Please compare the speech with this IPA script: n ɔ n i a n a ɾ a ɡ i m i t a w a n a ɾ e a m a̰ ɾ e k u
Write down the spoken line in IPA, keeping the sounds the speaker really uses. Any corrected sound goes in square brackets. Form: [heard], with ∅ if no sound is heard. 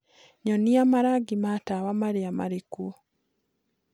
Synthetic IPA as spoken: [ɲ] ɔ n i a [m] a ɾ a ɡ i m [a] t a w a [m] a ɾ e a m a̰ ɾ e k u